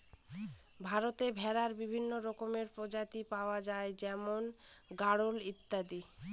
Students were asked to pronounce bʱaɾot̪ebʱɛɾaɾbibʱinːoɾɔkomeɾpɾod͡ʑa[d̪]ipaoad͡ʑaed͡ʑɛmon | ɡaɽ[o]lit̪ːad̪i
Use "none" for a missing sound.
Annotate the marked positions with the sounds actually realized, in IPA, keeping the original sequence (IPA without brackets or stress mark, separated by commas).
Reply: t̪, o